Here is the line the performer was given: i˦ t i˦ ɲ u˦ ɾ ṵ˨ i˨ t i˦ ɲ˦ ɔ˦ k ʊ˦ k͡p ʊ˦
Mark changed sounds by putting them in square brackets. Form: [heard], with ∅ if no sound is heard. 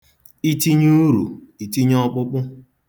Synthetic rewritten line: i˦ t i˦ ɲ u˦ ɾ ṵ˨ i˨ t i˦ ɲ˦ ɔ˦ [k͡p] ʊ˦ k͡p ʊ˦